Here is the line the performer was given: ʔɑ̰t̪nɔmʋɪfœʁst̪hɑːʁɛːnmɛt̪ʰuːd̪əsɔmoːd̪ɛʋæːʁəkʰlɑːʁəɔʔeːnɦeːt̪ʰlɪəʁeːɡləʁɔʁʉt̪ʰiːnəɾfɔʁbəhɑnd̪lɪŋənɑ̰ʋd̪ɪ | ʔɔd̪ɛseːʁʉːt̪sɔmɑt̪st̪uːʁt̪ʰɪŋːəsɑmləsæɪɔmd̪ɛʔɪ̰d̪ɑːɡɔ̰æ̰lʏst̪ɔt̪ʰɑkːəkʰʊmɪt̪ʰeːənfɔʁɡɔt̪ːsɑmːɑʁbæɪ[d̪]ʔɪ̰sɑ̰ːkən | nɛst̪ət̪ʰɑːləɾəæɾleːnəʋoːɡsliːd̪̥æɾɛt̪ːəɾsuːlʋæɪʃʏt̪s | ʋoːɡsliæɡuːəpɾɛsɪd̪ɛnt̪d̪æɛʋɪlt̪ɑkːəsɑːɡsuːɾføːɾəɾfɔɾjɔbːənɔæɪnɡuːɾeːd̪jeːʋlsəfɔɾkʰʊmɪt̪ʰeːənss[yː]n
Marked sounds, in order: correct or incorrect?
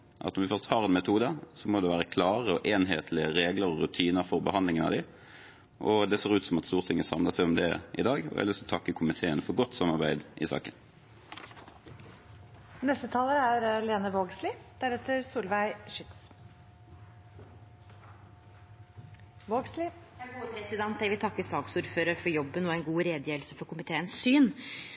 correct, correct

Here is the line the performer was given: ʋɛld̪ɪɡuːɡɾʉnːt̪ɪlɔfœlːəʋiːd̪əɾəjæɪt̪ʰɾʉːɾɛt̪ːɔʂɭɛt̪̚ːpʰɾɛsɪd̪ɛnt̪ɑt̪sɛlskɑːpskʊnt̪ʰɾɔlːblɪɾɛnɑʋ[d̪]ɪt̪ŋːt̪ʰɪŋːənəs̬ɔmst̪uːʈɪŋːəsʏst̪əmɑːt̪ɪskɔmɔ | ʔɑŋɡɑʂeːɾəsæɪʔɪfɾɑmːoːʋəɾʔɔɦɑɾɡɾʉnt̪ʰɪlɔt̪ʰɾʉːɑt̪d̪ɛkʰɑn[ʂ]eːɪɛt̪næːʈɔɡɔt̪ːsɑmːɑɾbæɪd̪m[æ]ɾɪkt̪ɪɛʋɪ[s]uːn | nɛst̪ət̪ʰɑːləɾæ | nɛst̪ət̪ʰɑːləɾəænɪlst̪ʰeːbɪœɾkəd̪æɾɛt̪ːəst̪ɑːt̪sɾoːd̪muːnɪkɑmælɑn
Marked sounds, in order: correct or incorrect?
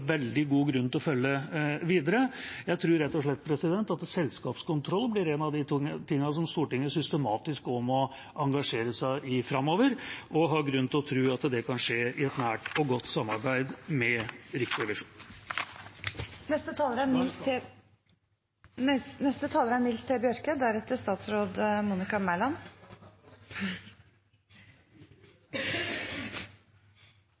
correct, correct, incorrect: ɛ, incorrect: ʂ

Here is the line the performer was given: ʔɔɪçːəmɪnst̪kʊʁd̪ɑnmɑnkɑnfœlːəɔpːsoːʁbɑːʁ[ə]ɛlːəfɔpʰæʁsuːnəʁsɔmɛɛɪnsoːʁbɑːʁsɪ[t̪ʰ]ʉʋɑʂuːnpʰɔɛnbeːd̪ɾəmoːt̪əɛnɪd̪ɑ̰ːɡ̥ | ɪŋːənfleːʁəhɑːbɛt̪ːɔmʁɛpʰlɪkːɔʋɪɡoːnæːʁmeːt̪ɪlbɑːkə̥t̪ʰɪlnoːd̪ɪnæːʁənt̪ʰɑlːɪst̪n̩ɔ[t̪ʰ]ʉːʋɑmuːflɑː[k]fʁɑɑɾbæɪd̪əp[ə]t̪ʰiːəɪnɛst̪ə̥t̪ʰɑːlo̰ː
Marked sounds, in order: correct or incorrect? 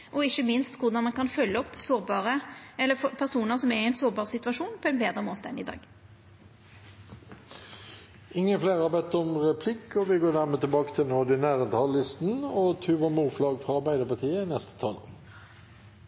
correct, incorrect: t̪, correct, incorrect: ɡ, incorrect: ɑ

